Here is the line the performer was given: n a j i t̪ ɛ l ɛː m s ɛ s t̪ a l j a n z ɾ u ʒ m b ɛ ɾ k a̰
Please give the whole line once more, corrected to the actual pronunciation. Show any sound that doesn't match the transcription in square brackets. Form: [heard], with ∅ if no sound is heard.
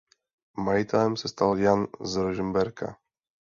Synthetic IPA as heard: [m] a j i t̪ ɛ l [ɛ] m s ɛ s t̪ a l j a n z ɾ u ʒ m b ɛ ɾ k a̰